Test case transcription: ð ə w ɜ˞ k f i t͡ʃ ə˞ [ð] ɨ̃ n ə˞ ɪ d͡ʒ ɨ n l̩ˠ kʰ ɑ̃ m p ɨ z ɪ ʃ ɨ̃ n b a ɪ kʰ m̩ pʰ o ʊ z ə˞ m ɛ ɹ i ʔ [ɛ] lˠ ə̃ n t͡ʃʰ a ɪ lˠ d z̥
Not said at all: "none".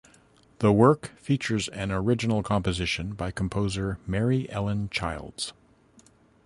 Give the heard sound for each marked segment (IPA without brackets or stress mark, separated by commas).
z, ɛ